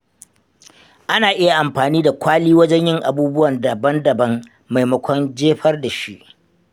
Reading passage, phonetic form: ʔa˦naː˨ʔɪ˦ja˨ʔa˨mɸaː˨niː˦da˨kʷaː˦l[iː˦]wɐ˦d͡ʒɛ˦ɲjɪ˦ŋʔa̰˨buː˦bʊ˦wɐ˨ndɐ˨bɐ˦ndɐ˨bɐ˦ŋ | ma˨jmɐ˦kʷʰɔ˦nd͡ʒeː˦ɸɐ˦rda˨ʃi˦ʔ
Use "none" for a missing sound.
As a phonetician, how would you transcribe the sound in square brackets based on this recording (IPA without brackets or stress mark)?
iː˦